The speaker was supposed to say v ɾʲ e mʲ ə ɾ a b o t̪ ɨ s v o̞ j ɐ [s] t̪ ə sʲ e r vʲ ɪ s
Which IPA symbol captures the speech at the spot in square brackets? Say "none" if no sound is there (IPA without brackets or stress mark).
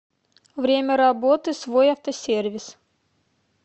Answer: f